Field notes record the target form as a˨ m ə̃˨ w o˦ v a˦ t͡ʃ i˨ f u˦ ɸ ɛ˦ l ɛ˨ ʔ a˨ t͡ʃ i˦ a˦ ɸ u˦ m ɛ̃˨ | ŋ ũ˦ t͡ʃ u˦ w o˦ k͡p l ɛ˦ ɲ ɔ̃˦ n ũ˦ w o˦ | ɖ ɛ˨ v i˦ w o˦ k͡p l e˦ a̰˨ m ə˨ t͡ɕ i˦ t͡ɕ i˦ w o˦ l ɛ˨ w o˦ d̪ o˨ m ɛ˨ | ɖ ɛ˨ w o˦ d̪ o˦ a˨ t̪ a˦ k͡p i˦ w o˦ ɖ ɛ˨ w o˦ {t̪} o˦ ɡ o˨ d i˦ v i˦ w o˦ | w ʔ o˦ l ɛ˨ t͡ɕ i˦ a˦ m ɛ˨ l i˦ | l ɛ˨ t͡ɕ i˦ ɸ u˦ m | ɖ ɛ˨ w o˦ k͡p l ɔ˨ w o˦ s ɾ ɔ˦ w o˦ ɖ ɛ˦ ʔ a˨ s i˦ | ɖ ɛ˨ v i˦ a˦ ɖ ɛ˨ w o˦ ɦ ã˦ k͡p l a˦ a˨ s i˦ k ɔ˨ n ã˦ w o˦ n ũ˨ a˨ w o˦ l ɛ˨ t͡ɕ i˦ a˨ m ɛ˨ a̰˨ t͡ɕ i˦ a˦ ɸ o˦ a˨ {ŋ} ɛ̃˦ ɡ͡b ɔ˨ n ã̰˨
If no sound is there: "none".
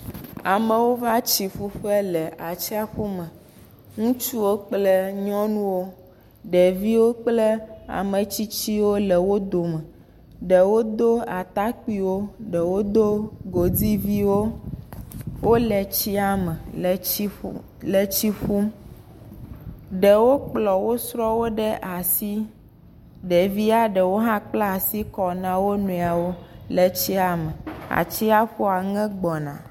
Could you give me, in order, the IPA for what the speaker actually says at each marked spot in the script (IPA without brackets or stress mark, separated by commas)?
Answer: d̪, ŋ